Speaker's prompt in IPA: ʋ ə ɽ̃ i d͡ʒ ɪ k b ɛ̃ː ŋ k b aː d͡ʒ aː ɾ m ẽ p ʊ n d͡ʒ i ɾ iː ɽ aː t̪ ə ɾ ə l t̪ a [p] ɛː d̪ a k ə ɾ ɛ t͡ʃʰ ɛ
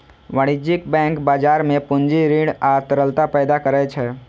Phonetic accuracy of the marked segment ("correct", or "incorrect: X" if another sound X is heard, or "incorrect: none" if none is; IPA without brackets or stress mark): correct